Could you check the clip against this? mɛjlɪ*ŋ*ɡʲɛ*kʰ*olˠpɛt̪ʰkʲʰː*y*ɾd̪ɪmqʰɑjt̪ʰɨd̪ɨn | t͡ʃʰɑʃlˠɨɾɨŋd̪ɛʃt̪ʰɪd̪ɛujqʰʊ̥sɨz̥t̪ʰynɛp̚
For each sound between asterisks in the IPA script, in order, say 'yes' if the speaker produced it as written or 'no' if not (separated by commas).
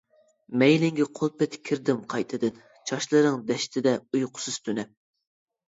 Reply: yes, no, no